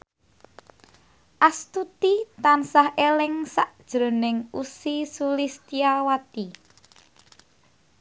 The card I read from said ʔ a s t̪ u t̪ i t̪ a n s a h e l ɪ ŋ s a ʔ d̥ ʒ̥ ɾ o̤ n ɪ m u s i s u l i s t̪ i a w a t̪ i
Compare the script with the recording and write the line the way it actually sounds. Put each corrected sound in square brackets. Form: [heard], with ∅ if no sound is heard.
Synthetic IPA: ʔ a s t̪ u t̪ i t̪ a n s a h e l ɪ ŋ s a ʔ d̥ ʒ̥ ɾ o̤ n ɪ [ŋ] u s i s u l i s t̪ i a w a t̪ i